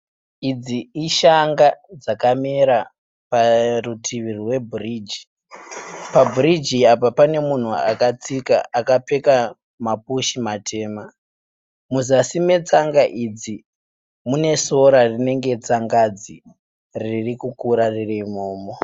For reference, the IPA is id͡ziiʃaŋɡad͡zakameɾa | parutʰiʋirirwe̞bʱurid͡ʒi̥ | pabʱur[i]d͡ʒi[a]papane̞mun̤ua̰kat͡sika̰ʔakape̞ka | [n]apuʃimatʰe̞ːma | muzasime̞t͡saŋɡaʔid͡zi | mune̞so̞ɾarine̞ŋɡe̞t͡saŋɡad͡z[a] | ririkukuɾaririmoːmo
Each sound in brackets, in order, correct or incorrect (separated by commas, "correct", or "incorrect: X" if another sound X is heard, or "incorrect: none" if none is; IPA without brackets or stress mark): correct, correct, incorrect: m, incorrect: i